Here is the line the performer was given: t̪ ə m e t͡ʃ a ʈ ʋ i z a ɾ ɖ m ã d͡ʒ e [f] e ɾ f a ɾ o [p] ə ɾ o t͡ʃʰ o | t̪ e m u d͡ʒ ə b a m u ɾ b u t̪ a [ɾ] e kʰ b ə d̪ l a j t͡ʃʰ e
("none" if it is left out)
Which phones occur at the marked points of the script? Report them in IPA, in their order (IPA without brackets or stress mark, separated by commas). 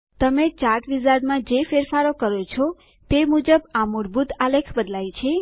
f, k, l